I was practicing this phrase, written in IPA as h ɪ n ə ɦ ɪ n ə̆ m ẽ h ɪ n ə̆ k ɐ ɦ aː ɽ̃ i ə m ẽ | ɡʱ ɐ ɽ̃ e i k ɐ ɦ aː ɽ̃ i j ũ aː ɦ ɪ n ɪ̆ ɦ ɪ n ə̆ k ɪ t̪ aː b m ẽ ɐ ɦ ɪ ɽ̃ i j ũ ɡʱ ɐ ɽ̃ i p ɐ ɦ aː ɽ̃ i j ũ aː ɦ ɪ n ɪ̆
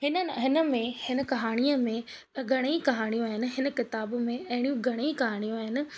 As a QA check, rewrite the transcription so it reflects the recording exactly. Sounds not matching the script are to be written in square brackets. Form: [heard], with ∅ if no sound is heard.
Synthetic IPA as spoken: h ɪ n ə ɦ ɪ n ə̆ m ẽ h ɪ n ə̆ k ɐ ɦ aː ɽ̃ i ə m ẽ | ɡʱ ɐ ɽ̃ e i k ɐ ɦ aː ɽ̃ i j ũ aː ɦ ɪ n ɪ̆ ɦ ɪ n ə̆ k ɪ t̪ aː b m ẽ ɐ ɦ ɪ ɽ̃ i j ũ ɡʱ ɐ ɽ̃ i [k] ɐ ɦ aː ɽ̃ i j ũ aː ɦ ɪ n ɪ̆